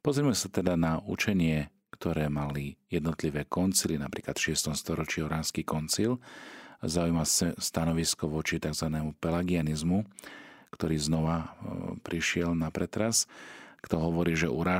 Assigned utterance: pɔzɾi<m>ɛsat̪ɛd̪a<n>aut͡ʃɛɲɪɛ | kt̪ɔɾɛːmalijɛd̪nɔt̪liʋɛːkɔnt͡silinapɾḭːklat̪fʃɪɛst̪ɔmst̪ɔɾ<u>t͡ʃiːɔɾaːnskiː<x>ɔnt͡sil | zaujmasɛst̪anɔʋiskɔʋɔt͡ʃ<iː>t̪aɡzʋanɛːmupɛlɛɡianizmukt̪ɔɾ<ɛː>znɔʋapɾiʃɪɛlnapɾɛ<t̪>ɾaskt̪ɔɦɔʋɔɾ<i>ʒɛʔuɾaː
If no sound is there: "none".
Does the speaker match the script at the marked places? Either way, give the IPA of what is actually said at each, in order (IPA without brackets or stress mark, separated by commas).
m, n, ɔ, k, i, iː, t̪, iː